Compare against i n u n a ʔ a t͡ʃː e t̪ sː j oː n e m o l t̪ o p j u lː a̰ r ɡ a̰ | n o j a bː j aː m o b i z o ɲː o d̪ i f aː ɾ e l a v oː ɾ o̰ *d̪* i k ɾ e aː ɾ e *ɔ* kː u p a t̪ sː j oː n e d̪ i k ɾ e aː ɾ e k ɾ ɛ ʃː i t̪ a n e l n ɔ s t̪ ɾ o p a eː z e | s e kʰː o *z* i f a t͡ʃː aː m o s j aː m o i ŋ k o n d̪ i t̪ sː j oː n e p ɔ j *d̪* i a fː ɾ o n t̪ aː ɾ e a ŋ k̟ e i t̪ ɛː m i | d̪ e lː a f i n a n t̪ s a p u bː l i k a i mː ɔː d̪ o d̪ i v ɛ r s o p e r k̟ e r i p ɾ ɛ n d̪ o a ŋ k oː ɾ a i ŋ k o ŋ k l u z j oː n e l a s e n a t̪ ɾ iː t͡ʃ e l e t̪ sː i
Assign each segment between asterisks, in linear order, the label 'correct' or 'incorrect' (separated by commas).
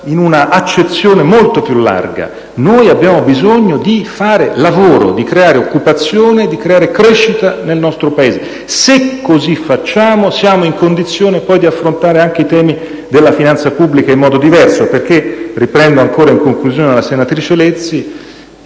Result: correct, incorrect, correct, correct